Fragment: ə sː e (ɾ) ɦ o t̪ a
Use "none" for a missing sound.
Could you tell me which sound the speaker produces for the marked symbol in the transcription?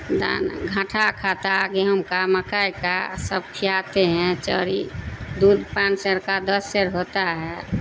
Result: ɾ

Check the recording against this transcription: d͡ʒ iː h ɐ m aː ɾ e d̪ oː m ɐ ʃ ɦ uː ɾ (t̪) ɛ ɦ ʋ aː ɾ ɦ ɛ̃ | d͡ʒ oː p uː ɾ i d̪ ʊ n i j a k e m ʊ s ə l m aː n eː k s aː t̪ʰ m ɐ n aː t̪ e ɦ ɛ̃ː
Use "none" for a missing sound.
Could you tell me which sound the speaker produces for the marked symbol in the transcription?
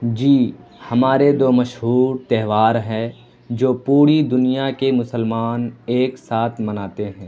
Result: t̪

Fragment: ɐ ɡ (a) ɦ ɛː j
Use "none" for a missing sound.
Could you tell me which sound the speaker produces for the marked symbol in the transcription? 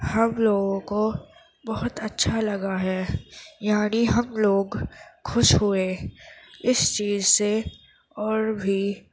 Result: a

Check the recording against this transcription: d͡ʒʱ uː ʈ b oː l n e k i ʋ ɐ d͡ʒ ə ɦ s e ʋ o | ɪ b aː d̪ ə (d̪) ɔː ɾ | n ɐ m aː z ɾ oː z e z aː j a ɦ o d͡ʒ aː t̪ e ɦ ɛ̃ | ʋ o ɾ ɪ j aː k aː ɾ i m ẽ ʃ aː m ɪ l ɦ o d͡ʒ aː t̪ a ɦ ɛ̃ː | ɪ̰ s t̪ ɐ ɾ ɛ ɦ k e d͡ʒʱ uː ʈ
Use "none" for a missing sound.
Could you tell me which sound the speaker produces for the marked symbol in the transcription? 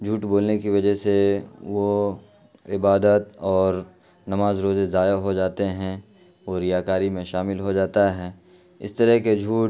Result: t̪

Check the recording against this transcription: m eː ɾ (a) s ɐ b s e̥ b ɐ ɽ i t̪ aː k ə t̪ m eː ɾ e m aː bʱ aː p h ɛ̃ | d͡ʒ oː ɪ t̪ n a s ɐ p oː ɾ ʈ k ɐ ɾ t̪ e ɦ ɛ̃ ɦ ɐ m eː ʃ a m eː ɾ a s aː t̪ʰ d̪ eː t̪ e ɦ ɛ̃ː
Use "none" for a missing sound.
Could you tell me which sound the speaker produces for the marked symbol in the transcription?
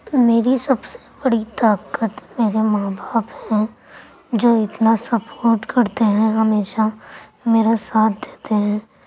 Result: i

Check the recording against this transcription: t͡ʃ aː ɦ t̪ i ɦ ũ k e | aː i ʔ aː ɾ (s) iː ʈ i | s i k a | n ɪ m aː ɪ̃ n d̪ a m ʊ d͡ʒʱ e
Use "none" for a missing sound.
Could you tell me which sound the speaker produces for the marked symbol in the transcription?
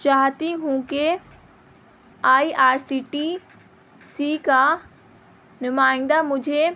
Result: s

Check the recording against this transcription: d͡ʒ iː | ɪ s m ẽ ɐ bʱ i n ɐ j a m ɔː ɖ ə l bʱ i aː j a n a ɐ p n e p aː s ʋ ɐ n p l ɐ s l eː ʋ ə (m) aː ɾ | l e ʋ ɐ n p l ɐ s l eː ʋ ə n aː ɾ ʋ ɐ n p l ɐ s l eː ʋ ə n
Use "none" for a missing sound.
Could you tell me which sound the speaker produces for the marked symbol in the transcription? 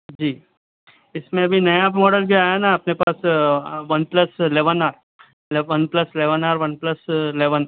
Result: n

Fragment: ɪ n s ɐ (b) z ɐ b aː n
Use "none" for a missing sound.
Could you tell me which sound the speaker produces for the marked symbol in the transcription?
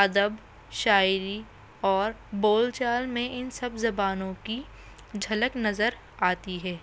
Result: b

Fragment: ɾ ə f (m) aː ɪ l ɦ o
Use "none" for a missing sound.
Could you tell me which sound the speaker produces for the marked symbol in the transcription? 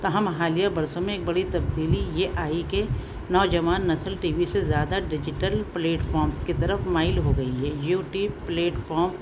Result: m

